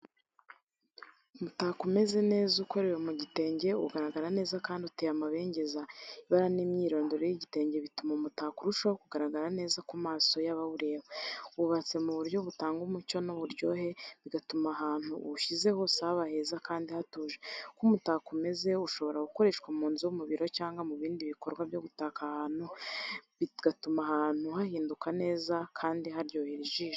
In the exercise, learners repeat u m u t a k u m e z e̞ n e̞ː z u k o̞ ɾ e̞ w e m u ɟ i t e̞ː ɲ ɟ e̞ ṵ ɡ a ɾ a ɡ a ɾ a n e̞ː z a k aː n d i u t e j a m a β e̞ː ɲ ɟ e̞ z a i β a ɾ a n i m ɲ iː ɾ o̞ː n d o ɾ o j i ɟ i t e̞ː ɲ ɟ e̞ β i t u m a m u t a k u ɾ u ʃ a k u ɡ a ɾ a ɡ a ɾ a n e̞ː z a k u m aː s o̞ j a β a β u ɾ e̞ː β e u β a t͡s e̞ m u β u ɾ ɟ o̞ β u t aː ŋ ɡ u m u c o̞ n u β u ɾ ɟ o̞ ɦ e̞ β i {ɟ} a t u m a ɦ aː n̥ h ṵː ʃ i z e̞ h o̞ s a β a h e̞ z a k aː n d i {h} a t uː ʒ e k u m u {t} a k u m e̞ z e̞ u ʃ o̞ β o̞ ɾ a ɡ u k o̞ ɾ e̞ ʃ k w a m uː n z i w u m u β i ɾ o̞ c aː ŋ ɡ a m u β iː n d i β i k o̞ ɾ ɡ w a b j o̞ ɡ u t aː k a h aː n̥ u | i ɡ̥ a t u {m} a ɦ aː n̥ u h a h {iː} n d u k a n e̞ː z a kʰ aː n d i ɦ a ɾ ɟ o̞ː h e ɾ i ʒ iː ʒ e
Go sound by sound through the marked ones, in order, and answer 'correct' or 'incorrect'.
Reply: incorrect: ɡ, correct, correct, correct, correct

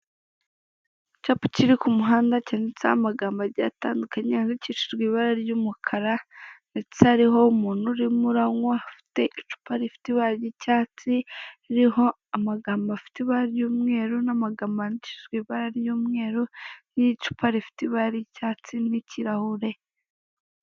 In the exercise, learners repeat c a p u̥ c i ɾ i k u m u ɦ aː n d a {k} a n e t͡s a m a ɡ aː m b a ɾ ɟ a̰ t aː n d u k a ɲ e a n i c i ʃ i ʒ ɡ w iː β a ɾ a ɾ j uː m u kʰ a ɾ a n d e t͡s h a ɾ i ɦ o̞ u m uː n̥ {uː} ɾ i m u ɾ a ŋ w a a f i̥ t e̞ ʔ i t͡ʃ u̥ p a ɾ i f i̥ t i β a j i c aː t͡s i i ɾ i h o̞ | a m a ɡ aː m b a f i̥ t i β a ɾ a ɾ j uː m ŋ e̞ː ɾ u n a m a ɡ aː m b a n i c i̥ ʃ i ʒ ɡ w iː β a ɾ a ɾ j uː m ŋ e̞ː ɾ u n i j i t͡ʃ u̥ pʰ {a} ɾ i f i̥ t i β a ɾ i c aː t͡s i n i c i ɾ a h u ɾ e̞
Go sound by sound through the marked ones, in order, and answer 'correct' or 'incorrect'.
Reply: incorrect: c, incorrect: u, correct

